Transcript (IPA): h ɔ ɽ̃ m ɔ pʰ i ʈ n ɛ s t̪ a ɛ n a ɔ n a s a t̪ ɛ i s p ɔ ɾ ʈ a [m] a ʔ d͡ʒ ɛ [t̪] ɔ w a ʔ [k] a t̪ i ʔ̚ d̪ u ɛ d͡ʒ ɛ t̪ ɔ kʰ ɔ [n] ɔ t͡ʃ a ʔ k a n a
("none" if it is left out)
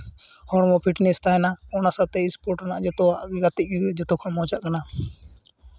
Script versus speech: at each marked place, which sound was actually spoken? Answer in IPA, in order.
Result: n, t̪, ɡ, m

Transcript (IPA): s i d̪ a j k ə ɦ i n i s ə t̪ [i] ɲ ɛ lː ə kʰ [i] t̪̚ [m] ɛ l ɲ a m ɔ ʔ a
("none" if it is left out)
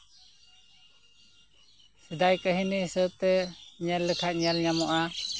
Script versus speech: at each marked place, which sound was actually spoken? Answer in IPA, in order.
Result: ɛ, a, ɲ

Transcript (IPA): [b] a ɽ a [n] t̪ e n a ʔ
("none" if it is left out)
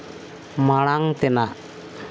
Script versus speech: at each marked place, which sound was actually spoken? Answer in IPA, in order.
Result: m, ŋ

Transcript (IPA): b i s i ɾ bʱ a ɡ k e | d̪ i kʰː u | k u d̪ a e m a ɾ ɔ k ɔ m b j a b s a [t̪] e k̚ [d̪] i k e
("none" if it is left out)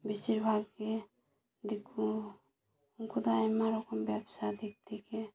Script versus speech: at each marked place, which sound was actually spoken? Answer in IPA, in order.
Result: d̪, t̪

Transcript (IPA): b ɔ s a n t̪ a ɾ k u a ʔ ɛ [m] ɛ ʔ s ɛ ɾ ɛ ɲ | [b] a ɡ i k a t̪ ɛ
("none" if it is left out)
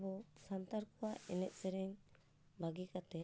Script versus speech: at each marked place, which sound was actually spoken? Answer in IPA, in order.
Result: n, b

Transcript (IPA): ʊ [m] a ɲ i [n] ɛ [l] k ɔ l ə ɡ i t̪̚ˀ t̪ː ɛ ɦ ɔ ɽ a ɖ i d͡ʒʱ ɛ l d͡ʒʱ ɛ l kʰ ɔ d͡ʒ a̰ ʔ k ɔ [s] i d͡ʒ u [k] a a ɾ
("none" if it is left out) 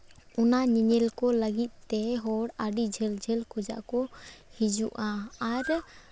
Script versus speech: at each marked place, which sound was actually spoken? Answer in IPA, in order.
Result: n, ɲ, l, h, ʔ

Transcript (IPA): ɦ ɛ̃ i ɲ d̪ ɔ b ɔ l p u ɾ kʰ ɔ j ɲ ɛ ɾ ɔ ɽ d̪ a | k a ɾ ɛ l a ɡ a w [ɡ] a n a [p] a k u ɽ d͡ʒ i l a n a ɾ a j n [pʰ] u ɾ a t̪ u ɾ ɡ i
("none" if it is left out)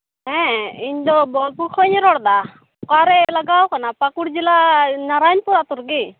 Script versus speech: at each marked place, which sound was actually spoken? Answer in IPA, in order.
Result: k, p, p

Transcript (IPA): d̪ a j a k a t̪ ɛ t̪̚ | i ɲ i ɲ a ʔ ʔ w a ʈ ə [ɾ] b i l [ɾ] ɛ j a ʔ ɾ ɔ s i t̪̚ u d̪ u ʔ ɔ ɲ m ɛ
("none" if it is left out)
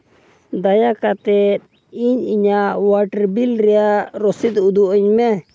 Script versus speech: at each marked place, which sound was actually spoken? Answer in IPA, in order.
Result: ɾ, ɾ

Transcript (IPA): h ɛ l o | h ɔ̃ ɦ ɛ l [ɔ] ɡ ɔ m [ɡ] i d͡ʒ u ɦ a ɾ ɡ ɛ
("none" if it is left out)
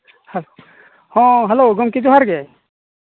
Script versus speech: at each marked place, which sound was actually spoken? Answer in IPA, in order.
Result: o, k

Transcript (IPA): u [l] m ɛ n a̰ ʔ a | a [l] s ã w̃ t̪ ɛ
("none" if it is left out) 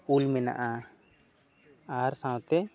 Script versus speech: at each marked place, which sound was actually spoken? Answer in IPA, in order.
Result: l, ɾ

